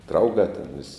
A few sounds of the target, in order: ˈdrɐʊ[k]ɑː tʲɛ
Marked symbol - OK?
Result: no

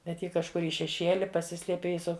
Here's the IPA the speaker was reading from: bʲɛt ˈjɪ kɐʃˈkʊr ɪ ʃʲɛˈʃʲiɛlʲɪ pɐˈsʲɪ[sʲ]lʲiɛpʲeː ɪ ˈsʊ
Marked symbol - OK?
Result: yes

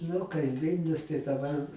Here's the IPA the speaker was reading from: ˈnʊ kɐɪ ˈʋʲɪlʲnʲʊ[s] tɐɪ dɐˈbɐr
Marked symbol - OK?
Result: yes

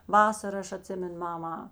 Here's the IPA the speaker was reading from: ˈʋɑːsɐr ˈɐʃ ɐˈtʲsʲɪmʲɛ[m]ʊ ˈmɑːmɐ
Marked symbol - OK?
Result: no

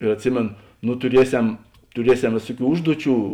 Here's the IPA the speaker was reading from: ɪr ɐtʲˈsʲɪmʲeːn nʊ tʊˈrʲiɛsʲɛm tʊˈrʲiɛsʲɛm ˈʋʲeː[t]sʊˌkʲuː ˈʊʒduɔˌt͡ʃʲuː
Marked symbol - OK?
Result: no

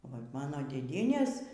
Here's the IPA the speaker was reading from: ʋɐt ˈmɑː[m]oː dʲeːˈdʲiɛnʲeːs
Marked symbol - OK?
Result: no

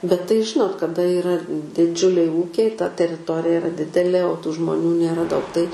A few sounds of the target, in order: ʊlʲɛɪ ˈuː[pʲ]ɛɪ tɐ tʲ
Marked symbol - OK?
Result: no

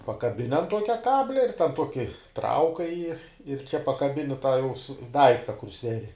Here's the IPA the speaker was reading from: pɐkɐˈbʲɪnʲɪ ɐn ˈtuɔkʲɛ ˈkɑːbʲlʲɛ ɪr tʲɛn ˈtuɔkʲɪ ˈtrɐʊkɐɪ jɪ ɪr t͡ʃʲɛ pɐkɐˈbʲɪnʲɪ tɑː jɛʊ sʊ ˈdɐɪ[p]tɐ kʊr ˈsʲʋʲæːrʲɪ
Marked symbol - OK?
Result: no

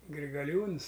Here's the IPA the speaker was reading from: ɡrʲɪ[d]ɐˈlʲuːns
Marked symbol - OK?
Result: no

